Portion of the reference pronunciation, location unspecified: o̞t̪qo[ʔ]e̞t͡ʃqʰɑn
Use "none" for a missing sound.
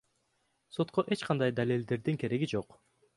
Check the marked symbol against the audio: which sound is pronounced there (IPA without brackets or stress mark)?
ʔ